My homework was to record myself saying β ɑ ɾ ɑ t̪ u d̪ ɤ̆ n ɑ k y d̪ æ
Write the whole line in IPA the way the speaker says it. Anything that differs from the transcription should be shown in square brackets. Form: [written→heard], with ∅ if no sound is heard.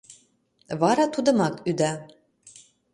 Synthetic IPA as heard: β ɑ ɾ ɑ t̪ u d̪ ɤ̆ [n→m] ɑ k y d̪ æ